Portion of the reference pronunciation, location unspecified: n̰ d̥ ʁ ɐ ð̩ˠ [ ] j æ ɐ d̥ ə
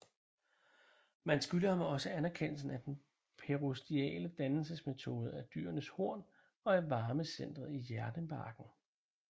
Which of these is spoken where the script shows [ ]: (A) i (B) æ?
A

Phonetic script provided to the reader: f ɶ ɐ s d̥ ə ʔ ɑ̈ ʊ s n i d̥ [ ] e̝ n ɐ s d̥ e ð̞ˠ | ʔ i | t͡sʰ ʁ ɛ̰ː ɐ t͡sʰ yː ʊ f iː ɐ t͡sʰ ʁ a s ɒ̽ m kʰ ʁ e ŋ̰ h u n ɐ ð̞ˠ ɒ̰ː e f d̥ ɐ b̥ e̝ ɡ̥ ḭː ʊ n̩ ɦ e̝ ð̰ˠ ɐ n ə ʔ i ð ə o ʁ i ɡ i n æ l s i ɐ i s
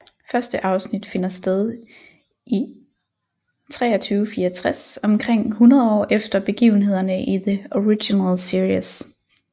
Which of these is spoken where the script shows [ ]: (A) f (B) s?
A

